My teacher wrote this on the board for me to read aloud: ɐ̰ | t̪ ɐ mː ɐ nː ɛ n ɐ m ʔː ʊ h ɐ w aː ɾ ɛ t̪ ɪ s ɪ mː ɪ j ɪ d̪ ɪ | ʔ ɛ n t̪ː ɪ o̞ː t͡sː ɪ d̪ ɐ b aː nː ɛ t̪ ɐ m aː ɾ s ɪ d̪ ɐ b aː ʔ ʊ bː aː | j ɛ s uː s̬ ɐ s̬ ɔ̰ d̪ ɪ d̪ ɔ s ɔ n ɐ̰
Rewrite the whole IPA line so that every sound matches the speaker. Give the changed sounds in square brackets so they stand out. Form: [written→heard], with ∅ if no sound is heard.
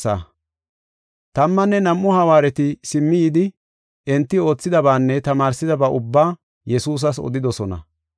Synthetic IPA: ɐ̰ | t̪ ɐ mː ɐ nː ɛ n ɐ m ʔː ʊ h ɐ w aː ɾ ɛ t̪ ɪ s ɪ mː ɪ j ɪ d̪ ɪ | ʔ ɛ n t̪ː ɪ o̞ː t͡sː ɪ d̪ ɐ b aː nː ɛ t̪ ɐ m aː ɾ s ɪ d̪ ɐ b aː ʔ ʊ bː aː | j ɛ s uː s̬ ɐ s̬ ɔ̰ d̪ ɪ d̪ ɔ s ɔ n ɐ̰